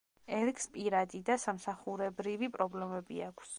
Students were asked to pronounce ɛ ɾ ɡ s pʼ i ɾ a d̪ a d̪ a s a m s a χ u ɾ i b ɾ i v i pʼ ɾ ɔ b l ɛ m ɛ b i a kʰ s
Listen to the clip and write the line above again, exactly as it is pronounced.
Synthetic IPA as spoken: ɛ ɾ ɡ s pʼ i ɾ a d̪ i d̪ a s a m s a χ u ɾ ɛ b ɾ i v i pʼ ɾ ɔ b l ɛ m ɛ b i a kʰ s